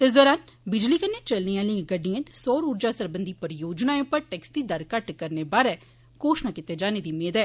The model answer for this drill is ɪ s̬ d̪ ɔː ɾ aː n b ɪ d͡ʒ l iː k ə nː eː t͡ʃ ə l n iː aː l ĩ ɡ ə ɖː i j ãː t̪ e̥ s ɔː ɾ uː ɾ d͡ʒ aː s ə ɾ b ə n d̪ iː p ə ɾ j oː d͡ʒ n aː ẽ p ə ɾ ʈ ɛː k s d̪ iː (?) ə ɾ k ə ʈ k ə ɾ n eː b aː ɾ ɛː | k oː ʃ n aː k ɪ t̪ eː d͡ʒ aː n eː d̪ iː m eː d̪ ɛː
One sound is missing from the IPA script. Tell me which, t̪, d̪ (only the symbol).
d̪